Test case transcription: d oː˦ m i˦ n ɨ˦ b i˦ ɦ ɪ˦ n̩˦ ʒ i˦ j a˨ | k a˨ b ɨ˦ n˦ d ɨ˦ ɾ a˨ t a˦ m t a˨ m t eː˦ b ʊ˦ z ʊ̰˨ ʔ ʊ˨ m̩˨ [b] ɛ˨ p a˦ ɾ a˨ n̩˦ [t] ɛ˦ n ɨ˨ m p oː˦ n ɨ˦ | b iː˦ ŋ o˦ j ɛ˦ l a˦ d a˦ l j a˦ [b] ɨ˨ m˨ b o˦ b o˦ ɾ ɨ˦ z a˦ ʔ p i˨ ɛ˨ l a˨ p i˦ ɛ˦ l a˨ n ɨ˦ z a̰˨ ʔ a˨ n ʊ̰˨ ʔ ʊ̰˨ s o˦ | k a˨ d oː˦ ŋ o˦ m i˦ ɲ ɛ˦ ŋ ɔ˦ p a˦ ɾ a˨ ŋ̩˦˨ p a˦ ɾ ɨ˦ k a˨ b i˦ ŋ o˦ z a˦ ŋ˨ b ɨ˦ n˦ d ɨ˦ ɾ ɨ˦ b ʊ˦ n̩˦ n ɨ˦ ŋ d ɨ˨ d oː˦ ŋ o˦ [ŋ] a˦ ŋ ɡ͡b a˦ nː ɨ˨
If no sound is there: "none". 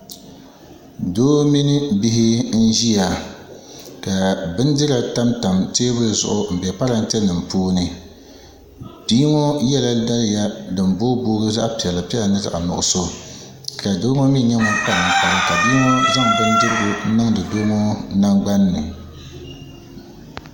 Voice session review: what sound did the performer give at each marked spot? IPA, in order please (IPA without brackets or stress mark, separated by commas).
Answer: b, t, d, n